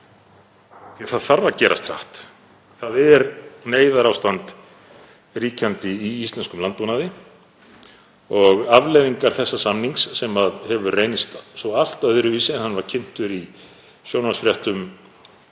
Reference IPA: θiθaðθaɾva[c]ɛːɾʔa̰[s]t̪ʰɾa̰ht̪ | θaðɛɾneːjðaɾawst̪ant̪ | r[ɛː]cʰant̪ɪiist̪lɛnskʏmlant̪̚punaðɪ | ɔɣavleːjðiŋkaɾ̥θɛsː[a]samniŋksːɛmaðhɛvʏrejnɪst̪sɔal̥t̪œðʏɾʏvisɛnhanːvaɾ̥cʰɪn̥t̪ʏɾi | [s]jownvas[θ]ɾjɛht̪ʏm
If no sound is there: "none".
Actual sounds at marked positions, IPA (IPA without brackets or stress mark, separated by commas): c, s, iː, a, s, f